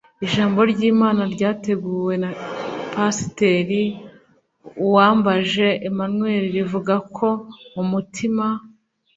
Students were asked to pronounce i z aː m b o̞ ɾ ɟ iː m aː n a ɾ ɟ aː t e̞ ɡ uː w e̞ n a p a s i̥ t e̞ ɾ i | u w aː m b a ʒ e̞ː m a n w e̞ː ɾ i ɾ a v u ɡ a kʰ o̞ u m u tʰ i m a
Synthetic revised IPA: i ʒ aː m b o̞ ɾ ɟ iː m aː n a ɾ ɟ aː t e̞ ɡ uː w e̞ n a p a s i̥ t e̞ ɾ i | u w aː m b a ʒ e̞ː m a n w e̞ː ɾ i ɾ i v u ɡ a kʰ o̞ u m u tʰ i m a

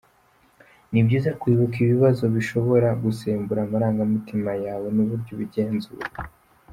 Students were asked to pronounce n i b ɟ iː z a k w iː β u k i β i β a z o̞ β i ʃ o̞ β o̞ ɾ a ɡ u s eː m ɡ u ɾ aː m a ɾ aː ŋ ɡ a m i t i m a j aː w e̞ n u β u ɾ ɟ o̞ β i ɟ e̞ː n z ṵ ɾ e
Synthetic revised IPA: n i b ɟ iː z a k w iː β u k i β i β a z o̞ β i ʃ o̞ β o̞ ɾ a ɡ u s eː m b u ɾ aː m a ɾ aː ŋ ɡ a m i t i m a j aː w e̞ n u β u ɾ ɟ o̞ β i ɟ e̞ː n z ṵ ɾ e

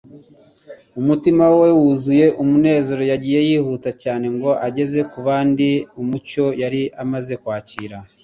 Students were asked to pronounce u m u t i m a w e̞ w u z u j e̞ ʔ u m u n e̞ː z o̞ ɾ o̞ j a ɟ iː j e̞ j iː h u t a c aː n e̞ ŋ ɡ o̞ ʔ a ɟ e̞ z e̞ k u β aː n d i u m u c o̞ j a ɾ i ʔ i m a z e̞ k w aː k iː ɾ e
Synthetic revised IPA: u m u t i m a w e̞ w u z u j e̞ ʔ u m u n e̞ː z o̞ ɾ o̞ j a ɟ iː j e̞ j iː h u t a c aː n e̞ ŋ ɡ o̞ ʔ a ɟ e̞ z e̞ k u β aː n d i u m u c o̞ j a ɾ i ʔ a m a z e̞ k w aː c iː ɾ a

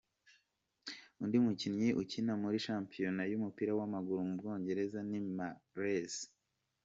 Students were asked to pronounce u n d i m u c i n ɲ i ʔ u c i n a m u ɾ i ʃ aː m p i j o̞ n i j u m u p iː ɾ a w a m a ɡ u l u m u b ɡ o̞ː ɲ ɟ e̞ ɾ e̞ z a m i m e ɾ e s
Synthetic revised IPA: u n d i m u c i n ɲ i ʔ u c i n a m u ɾ i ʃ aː m p i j o̞ n a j u m u p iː ɾ a w a m a ɡ u ɾ u m u b ɡ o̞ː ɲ ɟ e̞ ɾ e̞ z a n i m a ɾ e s

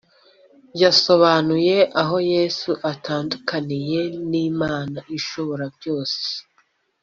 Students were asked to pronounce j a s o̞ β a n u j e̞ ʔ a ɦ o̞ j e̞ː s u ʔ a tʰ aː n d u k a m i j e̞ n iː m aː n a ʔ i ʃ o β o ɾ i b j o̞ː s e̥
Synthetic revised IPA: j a s o̞ β a n u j e̞ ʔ a ɦ o̞ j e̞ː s u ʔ a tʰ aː n d u k a n i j e̞ n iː m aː n a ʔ i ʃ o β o ɾ a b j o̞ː s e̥

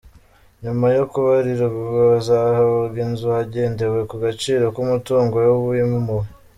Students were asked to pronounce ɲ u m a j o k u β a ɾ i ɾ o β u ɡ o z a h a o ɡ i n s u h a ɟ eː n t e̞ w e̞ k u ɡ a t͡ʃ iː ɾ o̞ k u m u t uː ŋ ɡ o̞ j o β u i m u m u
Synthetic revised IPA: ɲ u m a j o k u β a ɾ i ɾ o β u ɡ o z a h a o ɡ i n z u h a ɟ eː n d e̞ w e̞ k u ɡ a t͡ʃ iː ɾ o̞ k u m u t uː ŋ ɡ o̞ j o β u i m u m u

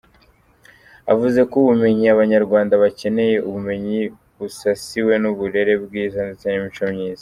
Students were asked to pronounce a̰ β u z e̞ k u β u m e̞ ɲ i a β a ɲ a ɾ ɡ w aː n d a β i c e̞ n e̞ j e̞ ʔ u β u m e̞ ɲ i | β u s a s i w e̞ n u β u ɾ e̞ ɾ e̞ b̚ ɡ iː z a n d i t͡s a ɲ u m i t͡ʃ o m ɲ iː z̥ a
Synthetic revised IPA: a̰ v u z e̞ k u β u m e̞ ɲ i a β a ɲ a ɾ ɡ w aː n d a β a c e̞ n e̞ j e̞ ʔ u β u m e̞ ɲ i | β u s a s i w e̞ n u β u ɾ e̞ ɾ e̞ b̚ ɡ iː z a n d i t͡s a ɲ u m i t͡ʃ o m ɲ iː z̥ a

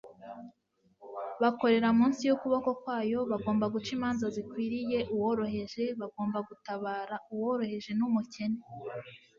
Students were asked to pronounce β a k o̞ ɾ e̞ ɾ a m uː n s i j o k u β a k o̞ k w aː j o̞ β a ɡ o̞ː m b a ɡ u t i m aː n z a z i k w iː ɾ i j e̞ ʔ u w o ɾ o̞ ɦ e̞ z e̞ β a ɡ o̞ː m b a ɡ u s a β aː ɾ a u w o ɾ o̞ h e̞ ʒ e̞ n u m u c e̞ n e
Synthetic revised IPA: β a k o̞ ɾ e̞ ɾ a m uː n s i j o k u β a k o̞ k w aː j o̞ β a ɡ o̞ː m b a ɡ u t͡ʃ i m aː n z a z i k w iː ɾ i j e̞ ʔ u w o ɾ o̞ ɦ e̞ ʒ e̞ β a ɡ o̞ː m b a ɡ u t a β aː ɾ a u w o ɾ o̞ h e̞ ʒ e̞ n u m u c e̞ n e

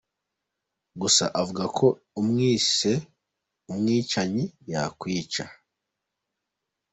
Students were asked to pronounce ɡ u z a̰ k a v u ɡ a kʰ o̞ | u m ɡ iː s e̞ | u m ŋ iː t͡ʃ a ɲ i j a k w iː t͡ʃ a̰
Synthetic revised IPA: ɡ u s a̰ ʔ a v u ɡ a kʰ o̞ | u m ŋ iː s e̞ | u m ŋ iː t͡ʃ a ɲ i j a k w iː t͡ʃ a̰

